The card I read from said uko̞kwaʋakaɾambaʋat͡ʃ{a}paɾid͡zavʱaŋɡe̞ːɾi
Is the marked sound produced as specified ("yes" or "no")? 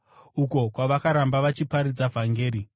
no